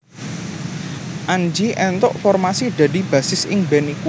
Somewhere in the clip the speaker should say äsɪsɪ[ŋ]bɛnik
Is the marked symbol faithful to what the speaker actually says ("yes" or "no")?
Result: yes